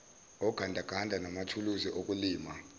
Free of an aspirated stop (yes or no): no